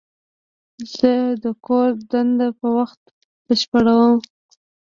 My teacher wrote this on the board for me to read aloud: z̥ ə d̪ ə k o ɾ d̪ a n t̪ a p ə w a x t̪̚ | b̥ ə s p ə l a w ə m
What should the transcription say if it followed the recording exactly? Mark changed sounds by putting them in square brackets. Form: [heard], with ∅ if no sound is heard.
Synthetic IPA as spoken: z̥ ə d̪ ə k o ɾ d̪ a n [d̪] a p ə w a x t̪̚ | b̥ ə [ʃ] p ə [ɽ] a w ə m